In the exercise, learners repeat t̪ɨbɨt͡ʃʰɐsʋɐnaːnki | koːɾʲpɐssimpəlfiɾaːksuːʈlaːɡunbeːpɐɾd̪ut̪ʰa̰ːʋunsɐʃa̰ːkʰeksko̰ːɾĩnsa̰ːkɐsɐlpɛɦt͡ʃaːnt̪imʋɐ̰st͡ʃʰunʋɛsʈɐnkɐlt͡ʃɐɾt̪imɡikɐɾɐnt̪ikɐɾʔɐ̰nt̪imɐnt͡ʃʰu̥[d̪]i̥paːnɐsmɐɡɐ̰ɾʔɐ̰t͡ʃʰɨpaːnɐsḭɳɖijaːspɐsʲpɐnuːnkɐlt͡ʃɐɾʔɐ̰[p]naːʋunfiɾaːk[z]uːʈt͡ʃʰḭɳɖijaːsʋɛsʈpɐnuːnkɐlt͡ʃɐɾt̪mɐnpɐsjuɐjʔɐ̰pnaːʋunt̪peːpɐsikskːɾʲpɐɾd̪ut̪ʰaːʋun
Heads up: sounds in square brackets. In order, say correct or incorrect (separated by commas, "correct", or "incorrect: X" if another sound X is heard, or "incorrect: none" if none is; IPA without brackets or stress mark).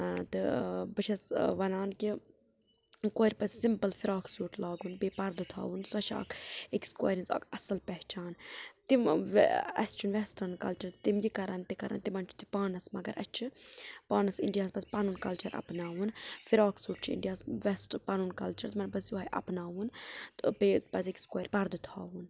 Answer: incorrect: t̪, correct, incorrect: s